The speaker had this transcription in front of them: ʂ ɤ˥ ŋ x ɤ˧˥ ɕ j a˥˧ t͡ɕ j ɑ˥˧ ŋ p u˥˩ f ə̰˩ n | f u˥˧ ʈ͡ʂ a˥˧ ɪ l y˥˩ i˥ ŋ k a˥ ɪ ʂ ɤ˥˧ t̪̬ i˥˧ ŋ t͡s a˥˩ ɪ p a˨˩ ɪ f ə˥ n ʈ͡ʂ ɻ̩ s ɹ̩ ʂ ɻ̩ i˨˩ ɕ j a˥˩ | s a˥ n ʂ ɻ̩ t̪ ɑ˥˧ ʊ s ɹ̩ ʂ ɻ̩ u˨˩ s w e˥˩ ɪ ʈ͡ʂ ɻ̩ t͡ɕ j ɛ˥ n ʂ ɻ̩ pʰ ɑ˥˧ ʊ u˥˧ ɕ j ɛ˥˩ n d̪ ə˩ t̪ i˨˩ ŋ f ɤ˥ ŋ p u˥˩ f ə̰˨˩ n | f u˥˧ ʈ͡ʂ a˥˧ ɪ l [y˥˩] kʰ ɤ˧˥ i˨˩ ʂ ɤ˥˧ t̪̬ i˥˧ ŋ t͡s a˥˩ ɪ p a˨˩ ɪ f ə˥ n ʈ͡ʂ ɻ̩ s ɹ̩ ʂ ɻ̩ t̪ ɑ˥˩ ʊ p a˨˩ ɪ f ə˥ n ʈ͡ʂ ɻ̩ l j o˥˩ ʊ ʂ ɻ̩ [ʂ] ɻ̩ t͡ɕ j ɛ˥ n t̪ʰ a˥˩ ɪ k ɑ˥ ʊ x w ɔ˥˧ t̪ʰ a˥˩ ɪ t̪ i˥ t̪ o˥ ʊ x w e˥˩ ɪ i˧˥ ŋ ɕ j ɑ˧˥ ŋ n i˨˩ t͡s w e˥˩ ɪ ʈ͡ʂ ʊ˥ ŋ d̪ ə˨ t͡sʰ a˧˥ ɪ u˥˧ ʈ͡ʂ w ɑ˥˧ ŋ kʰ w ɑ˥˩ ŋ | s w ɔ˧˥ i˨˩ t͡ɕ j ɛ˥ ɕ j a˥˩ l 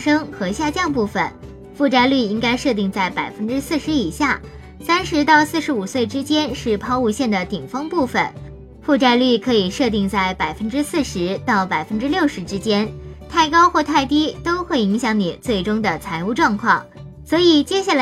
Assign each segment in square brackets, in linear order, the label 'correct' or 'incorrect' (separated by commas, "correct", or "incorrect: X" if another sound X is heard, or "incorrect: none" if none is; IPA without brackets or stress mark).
correct, incorrect: ʈ͡ʂ